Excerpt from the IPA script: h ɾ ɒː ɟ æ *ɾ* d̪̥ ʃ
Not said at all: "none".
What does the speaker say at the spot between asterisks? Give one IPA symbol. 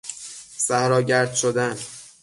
ɾ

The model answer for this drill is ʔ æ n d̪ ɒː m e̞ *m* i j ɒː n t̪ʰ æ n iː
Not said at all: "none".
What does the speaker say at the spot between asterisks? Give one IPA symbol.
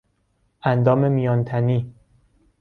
m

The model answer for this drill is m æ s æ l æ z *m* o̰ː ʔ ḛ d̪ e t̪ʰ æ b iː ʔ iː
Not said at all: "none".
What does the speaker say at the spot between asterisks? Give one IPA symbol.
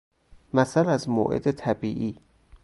m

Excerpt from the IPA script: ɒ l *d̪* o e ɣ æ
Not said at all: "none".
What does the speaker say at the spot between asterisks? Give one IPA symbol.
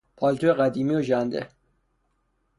t̪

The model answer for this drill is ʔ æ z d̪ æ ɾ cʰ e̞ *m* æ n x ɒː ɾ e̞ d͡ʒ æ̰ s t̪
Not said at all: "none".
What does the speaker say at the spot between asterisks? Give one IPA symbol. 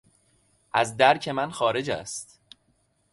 m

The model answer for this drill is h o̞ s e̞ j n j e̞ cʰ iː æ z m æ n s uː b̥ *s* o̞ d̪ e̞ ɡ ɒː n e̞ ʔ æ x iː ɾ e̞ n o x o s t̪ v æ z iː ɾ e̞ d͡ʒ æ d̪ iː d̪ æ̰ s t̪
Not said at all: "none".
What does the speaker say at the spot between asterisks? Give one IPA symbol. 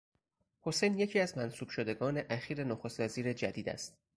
ʃ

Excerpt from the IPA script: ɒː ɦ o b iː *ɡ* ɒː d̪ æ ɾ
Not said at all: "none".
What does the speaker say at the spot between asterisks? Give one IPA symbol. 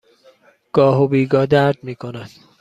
ɡ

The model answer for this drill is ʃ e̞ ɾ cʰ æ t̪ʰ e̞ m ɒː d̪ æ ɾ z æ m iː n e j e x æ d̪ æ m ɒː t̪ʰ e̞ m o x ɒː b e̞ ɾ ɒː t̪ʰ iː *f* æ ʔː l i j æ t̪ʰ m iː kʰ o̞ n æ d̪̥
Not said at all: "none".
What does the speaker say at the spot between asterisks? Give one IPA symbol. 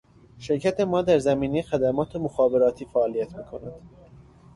f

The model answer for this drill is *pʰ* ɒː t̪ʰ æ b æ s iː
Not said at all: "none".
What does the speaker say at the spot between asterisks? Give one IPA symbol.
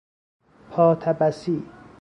pʰ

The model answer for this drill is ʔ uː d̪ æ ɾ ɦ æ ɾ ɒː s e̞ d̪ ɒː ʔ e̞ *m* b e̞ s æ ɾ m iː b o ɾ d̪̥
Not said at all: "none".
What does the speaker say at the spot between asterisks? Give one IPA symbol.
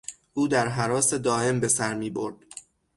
m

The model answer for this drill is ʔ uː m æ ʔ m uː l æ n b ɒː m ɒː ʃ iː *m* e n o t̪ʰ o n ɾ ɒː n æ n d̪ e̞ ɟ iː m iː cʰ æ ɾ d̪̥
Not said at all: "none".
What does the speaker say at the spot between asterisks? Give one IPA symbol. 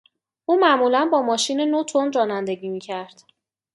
n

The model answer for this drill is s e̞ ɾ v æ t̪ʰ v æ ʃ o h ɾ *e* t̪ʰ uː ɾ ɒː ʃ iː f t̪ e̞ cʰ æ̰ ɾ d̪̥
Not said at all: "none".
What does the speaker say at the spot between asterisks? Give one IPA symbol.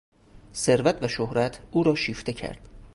æ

